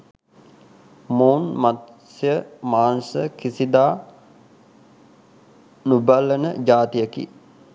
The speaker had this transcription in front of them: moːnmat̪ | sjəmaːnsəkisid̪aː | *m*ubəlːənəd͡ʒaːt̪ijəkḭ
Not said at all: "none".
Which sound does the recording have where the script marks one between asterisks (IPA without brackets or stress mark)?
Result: n